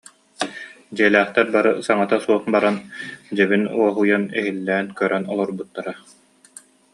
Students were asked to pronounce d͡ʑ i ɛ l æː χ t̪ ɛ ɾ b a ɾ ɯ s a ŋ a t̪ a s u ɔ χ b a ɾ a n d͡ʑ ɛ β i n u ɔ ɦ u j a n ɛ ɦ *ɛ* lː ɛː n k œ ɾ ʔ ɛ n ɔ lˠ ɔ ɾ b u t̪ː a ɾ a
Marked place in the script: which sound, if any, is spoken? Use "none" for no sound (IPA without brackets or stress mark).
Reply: i